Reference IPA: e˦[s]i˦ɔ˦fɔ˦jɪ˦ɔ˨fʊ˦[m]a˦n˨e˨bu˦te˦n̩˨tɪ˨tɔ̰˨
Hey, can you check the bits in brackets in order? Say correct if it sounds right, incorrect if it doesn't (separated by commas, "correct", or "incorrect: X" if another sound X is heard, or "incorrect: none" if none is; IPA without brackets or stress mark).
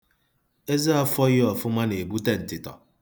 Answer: incorrect: z, correct